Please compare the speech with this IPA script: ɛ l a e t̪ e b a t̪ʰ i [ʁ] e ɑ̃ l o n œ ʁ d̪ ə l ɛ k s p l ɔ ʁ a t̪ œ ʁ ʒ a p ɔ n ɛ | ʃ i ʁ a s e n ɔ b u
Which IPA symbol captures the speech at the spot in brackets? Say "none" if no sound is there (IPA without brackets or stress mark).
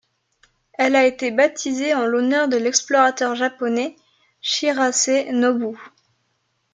z